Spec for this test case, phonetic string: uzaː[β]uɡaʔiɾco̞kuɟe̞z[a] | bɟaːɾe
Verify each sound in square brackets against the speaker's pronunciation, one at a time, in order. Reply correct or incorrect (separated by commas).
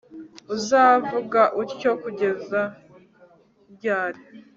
incorrect, correct